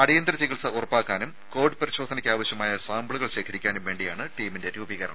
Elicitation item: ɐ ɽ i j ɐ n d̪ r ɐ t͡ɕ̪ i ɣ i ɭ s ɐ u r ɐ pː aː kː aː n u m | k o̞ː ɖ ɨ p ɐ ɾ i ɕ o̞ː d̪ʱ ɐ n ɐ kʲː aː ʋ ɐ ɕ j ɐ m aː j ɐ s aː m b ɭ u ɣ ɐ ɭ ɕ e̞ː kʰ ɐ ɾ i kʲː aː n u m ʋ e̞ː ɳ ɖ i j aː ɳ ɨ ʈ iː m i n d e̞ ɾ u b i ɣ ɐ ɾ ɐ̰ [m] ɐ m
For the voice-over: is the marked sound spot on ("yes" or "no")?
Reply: no